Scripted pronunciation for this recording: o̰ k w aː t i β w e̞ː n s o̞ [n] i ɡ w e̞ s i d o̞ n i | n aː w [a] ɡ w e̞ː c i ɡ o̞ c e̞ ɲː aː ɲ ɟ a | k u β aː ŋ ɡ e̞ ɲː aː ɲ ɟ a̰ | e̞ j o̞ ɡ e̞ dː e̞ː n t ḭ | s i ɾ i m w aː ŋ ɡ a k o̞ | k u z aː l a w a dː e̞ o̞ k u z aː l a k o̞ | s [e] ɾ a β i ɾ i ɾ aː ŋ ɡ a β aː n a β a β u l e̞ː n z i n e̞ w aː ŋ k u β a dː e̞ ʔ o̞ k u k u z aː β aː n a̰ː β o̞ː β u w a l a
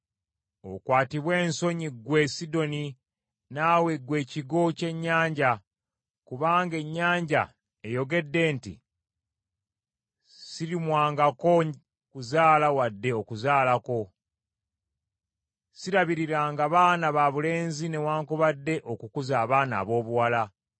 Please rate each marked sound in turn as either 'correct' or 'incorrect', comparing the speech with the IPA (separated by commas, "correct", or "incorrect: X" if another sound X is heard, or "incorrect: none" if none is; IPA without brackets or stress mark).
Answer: incorrect: ɲ, incorrect: e, incorrect: i